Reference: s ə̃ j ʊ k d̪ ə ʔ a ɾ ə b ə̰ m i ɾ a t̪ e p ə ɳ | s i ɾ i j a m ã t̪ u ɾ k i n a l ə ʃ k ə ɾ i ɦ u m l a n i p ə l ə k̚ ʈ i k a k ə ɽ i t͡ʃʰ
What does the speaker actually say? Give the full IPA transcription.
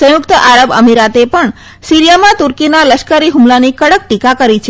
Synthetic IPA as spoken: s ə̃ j ʊ k t̪ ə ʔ a ɾ ə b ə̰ m i ɾ a t̪ e p ə ɳ | s i ɾ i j a m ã t̪ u ɾ k i n a l ə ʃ k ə ɾ i ɦ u m l a n i k ə ɽ ə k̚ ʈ i k a k ə ɾ i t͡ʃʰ